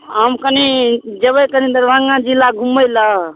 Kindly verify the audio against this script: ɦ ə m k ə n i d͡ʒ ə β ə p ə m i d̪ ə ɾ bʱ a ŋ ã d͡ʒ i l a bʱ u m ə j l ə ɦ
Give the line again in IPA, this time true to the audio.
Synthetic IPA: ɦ ə m k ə n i d͡ʒ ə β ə k ə n i d̪ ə ɾ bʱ a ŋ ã d͡ʒ i l a ɡʱ u m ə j l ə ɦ